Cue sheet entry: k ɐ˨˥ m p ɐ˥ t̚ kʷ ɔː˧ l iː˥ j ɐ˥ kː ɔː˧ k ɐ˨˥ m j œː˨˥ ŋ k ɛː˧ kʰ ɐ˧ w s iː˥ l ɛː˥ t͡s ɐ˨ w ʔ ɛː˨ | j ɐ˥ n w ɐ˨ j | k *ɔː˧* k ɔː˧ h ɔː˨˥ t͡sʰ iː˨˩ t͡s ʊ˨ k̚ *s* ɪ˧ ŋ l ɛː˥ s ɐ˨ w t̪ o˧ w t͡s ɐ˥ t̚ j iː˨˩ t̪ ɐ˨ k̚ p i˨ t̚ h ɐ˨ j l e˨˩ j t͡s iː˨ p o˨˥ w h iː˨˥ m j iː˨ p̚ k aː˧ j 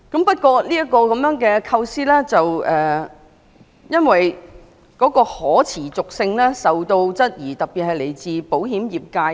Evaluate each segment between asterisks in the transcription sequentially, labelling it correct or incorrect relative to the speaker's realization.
incorrect: ɔː˨˥, correct

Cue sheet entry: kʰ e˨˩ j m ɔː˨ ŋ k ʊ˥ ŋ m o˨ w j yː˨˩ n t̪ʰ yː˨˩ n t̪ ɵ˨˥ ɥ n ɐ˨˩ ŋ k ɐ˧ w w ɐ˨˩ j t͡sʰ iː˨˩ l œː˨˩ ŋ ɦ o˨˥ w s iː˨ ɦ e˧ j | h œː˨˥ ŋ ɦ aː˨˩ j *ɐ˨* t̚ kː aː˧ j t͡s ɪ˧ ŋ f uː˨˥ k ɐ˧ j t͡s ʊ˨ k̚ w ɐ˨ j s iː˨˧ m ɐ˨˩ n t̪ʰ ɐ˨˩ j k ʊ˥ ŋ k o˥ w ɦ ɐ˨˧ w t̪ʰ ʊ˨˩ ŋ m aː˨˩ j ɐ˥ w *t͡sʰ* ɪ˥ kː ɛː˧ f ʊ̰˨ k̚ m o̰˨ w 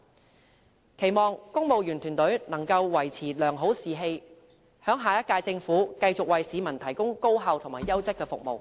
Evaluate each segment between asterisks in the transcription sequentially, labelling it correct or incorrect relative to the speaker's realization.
incorrect: ɐ˥, incorrect: t͡s

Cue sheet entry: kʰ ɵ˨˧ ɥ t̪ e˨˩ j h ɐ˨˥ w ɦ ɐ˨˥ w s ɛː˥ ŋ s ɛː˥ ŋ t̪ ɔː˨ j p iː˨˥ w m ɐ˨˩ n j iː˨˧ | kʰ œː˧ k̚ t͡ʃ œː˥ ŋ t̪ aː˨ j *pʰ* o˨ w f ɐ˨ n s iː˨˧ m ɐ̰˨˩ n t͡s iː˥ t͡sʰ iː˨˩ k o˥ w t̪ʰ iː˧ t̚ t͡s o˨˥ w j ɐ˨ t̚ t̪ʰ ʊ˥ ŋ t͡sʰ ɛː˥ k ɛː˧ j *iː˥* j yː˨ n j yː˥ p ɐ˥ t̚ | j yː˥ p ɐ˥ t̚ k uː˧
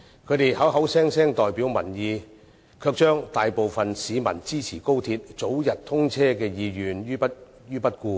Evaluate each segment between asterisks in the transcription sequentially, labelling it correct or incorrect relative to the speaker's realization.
incorrect: p, incorrect: iː˨˧

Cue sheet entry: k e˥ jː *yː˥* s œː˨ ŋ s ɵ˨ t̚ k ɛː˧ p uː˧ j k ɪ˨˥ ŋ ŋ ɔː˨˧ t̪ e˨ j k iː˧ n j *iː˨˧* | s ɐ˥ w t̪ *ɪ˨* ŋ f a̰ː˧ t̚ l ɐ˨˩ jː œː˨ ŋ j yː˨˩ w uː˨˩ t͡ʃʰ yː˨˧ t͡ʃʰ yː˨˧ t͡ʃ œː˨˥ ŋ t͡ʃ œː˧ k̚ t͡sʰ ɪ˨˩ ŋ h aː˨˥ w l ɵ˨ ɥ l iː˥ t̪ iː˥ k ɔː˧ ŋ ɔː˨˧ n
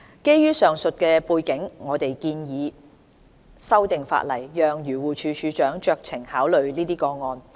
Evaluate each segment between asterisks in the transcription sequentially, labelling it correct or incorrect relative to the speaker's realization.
correct, correct, correct

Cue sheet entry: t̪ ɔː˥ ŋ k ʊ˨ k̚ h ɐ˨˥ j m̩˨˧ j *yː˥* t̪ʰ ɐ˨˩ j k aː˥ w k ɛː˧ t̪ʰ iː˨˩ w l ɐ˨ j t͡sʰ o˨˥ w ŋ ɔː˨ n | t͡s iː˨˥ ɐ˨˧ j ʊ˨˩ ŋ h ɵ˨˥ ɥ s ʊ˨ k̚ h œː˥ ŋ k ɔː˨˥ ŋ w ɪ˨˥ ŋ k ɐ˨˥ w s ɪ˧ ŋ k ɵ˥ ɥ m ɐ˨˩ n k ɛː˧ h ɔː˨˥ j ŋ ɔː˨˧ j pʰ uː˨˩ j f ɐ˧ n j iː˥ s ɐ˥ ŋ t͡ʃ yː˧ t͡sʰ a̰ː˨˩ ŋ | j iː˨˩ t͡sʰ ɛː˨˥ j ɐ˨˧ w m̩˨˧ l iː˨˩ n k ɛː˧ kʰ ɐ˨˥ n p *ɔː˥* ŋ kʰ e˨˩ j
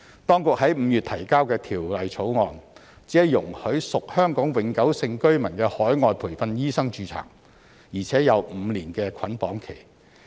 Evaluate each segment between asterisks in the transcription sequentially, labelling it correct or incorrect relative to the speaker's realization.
incorrect: yː˨, incorrect: ɔː˨˥

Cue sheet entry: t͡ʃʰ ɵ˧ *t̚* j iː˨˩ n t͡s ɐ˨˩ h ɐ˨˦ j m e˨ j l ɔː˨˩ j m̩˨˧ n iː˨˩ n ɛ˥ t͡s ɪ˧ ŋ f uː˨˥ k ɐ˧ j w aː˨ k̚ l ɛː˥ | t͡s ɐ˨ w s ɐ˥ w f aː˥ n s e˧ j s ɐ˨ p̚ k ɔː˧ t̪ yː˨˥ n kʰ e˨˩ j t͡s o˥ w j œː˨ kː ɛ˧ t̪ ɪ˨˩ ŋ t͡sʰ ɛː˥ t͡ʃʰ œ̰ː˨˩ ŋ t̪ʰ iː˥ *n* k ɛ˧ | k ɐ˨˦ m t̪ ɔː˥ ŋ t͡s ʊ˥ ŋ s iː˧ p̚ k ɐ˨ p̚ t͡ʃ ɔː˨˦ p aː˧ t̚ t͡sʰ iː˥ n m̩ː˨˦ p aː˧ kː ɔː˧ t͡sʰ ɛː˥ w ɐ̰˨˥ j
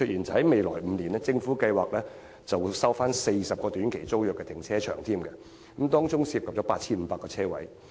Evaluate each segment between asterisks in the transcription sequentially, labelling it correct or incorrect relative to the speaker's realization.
correct, incorrect: m

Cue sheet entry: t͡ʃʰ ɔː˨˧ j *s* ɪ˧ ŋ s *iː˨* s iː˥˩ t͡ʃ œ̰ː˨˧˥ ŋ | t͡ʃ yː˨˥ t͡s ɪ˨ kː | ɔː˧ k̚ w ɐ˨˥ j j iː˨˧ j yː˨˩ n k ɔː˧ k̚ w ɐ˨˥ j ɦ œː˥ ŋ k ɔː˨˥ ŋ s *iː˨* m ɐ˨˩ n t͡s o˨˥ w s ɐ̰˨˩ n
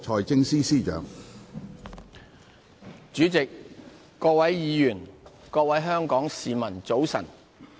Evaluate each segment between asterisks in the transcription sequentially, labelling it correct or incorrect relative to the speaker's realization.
incorrect: t͡s, incorrect: iː˥, correct

